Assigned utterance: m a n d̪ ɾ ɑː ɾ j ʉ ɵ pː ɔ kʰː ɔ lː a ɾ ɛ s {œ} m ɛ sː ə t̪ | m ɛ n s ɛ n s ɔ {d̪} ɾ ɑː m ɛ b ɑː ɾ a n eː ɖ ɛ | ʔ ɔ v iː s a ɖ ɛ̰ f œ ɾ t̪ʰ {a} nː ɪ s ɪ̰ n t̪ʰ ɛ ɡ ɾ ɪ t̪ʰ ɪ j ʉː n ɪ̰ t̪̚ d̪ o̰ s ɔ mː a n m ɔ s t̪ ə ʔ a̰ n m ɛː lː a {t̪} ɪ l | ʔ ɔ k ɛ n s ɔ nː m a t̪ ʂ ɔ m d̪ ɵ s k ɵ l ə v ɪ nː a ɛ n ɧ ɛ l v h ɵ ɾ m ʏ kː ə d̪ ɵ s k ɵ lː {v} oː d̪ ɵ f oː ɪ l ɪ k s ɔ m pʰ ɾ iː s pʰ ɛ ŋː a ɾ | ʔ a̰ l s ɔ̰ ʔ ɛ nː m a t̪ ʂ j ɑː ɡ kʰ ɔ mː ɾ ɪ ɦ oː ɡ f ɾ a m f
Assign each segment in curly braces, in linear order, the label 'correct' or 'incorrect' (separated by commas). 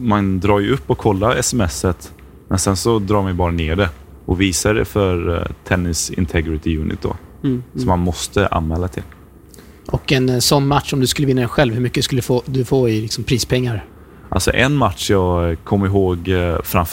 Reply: incorrect, correct, incorrect, incorrect, incorrect